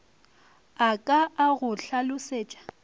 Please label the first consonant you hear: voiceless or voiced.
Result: voiceless